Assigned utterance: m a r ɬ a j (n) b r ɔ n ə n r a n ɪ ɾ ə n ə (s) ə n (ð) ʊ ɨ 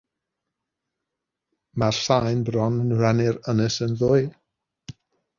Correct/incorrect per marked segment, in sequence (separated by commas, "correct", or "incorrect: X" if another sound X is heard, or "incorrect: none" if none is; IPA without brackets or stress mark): correct, correct, correct